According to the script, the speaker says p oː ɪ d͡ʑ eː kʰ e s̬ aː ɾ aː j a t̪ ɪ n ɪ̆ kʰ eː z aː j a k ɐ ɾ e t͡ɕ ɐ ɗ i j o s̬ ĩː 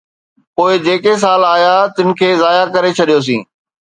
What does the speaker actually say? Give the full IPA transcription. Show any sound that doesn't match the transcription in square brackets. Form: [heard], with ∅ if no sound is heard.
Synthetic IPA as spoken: p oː ɪ d͡ʑ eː [k] e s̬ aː [l] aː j a t̪ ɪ n ɪ̆ kʰ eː z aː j a k ɐ ɾ e [t͡ɕʰ] ɐ ɗ i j o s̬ ĩː